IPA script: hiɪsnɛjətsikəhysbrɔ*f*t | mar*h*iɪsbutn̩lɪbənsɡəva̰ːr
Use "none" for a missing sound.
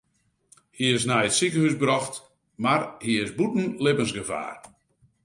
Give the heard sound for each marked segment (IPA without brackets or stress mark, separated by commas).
x, h